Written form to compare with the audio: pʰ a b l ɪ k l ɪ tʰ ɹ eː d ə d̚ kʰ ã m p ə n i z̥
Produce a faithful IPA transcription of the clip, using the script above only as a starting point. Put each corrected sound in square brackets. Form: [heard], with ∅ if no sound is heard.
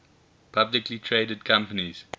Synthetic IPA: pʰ a b l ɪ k l [i] tʰ ɹ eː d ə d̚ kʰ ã m p ə n i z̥